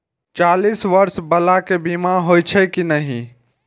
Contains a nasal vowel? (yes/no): no